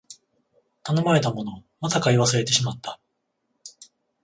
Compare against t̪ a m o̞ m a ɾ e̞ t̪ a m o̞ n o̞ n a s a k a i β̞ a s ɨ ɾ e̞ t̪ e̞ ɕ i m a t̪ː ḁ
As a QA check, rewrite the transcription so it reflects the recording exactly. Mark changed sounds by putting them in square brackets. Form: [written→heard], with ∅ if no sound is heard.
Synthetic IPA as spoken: t̪ a [m→n] o̞ m a ɾ e̞ t̪ a m o̞ n o̞ [n→m] a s a k a i β̞ a s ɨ ɾ e̞ t̪ e̞ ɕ i m a t̪ː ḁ

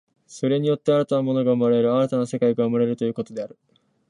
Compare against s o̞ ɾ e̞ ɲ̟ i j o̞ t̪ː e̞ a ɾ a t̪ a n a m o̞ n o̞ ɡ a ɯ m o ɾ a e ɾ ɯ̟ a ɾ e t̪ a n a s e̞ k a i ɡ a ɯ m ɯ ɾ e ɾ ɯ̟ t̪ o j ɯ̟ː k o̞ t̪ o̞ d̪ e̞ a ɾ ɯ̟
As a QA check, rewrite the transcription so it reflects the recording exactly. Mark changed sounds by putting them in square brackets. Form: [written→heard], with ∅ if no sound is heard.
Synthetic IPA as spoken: s o̞ ɾ e̞ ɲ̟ i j o̞ t̪ː e̞ a ɾ a t̪ a n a m o̞ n o̞ ɡ a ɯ m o ɾ a e ɾ ɯ̟ a ɾ [e→a] t̪ a n a s e̞ k a i ɡ a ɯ m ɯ ɾ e ɾ ɯ̟ t̪ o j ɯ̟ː k o̞ t̪ o̞ d̪ e̞ a ɾ ɯ̟

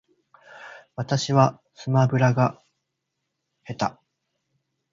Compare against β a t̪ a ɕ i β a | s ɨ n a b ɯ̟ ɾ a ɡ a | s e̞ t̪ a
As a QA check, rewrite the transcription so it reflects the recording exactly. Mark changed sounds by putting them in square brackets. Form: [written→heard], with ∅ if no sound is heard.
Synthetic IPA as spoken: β a t̪ a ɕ i β a | s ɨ [n→m] a b ɯ̟ ɾ a ɡ a | [s→h] e̞ t̪ a

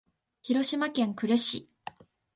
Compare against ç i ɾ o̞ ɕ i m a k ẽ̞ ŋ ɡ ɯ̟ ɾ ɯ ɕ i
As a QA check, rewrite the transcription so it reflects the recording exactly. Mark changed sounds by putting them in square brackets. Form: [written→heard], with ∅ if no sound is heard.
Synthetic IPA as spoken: ç i ɾ o̞ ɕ i m a k ẽ̞ ŋ [ɡ→k] ɯ̟ ɾ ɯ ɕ i

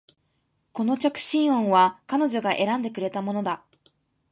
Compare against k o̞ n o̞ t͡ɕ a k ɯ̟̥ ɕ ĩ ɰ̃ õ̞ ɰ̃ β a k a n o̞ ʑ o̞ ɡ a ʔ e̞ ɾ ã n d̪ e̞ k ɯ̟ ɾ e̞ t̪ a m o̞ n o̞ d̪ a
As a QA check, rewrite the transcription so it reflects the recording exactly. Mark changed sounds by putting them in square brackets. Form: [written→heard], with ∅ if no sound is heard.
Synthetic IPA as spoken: k o̞ n o̞ t͡ɕ a k ɯ̟̥ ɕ ĩ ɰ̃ õ̞ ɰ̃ β a k a n o̞ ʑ o̞ ɡ a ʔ e̞ ɾ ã n d̪ e̞ k ɯ̟ ɾ e̞ t̪ a m o̞ n o̞ d̪ a

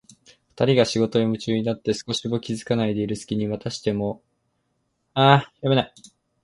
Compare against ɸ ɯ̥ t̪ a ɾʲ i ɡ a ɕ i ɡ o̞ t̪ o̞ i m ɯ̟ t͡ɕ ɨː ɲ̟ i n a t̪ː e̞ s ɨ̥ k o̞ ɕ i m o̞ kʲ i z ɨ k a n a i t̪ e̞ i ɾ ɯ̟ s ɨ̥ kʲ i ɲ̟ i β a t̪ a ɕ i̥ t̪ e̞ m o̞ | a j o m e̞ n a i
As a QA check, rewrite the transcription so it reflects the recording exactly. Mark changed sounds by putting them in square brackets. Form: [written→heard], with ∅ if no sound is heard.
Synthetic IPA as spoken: ɸ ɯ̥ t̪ a ɾʲ i ɡ a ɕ i ɡ o̞ t̪ o̞ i m ɯ̟ t͡ɕ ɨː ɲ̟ i n a t̪ː e̞ s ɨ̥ k o̞ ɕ i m o̞ kʲ i z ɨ k a n a i [t̪→d̪] e̞ i ɾ ɯ̟ s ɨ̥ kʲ i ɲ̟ i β a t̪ a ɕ i̥ t̪ e̞ m o̞ | a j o m e̞ n a i

